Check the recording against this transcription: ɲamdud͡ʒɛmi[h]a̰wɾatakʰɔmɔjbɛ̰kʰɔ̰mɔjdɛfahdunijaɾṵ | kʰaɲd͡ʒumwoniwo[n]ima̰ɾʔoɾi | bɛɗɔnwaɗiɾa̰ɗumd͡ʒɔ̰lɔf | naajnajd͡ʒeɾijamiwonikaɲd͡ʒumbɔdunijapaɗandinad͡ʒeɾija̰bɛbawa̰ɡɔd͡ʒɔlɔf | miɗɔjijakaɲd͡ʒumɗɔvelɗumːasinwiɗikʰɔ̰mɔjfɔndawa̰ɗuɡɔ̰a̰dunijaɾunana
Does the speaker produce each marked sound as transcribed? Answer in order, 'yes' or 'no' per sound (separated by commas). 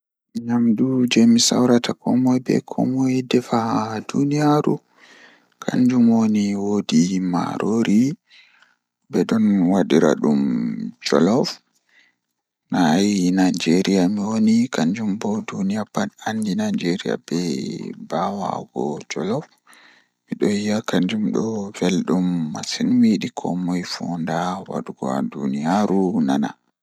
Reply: no, no